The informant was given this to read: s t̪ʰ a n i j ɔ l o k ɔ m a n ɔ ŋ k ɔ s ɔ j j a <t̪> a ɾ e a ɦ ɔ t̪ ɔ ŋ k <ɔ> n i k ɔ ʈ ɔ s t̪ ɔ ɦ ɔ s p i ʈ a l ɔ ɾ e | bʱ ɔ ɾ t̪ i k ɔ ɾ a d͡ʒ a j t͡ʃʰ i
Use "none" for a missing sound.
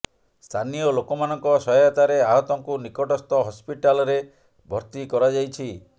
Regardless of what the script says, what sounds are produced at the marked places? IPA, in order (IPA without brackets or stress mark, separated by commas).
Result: t̪, u